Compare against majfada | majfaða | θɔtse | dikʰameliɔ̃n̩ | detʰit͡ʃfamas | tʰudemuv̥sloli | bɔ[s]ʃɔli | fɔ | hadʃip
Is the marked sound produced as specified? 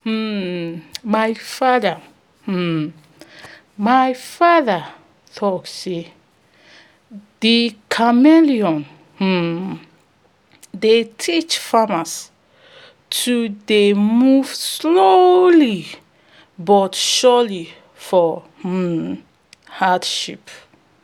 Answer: no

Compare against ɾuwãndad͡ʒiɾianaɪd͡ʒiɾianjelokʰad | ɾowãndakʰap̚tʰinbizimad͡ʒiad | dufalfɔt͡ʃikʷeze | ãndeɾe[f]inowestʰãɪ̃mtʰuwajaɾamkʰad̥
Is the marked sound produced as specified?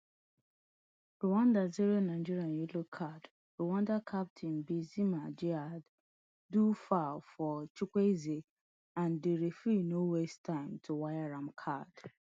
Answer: yes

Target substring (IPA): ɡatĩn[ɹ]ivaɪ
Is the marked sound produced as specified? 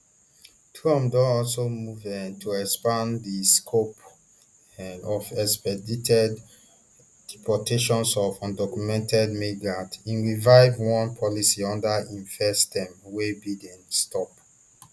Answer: yes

